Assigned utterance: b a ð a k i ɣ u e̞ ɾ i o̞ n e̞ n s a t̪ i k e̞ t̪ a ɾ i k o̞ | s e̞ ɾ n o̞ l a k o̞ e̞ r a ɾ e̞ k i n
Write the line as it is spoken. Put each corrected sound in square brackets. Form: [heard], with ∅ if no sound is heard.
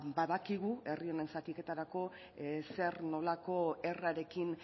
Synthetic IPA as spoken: b a ð a k i ɣ u e̞ [r] i o̞ n e̞ n s a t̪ i k e̞ t̪ a ɾ [a] k o̞ | s e̞ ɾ n o̞ l a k o̞ e̞ r a ɾ e̞ k i n